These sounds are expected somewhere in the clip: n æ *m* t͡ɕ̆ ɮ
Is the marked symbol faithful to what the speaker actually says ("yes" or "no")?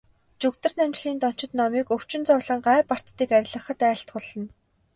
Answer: yes